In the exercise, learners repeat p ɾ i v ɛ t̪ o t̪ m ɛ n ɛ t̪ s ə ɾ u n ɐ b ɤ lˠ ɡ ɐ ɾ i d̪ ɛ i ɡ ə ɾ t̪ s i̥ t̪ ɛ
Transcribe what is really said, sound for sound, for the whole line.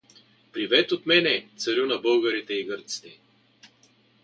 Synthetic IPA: p ɾ i v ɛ t̪ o t̪ m ɛ n ɛ t̪ s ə ɾ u n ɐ b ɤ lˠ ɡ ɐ ɾ i t̪ ɛ i ɡ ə ɾ t̪ s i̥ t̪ ɛ